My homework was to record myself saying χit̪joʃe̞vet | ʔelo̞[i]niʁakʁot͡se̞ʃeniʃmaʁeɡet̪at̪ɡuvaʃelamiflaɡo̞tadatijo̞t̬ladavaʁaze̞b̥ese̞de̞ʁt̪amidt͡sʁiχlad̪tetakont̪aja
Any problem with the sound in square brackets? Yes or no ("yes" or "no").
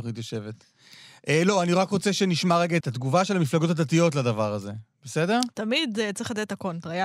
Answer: yes